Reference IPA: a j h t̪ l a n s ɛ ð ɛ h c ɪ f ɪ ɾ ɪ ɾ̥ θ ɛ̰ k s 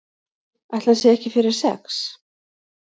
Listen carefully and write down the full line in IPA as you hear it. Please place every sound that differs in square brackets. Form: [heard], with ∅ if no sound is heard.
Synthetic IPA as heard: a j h t̪ l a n s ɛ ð ɛ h c ɪ f ɪ ɾ ɪ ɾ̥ [s] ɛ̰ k s